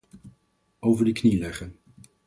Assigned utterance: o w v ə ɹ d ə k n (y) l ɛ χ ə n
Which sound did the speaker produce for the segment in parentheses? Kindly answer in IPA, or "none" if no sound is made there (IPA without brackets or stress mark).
i